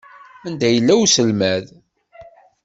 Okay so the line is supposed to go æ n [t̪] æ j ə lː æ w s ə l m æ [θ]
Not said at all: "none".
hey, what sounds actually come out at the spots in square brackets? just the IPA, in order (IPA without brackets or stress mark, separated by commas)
d̪, ð